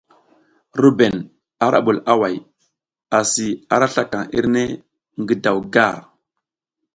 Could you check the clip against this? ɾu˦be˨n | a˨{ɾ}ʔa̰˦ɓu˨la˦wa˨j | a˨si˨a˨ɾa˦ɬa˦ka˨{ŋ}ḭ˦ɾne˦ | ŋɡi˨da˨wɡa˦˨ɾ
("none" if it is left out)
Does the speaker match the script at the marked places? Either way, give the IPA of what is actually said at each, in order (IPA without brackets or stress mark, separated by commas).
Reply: ɾ, ŋ